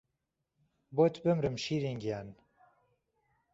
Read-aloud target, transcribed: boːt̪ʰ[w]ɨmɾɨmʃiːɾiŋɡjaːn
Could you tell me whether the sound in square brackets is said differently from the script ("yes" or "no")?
yes